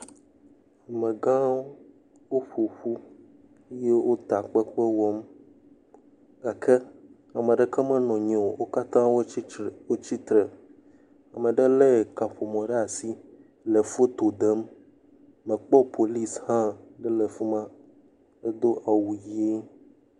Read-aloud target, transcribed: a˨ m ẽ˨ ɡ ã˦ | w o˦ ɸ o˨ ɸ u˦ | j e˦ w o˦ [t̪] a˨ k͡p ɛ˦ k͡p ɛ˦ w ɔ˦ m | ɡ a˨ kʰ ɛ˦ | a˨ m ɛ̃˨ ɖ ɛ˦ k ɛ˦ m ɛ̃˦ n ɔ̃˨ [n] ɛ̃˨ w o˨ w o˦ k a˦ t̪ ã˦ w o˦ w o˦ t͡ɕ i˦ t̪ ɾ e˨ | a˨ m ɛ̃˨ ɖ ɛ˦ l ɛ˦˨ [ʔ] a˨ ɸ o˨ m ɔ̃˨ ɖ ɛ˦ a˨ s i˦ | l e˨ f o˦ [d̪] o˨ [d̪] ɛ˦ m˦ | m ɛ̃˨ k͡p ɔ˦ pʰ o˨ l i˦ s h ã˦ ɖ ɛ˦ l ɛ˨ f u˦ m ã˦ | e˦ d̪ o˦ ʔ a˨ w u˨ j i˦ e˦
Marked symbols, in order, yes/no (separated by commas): yes, no, no, no, yes